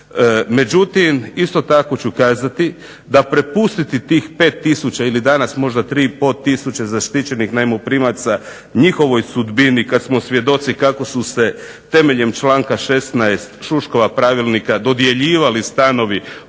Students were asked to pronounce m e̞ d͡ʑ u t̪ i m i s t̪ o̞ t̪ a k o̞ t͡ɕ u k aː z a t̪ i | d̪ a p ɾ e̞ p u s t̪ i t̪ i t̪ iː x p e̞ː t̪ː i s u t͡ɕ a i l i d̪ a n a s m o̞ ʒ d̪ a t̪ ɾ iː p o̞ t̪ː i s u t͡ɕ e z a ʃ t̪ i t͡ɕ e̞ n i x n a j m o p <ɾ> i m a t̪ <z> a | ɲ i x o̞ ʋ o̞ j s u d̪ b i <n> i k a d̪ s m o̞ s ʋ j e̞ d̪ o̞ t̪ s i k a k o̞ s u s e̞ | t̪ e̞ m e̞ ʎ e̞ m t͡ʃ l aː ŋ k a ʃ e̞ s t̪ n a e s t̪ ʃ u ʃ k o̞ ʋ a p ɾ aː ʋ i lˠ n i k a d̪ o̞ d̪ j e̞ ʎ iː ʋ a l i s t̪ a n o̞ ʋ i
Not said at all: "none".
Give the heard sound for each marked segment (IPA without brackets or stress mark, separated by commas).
ɾ, s, n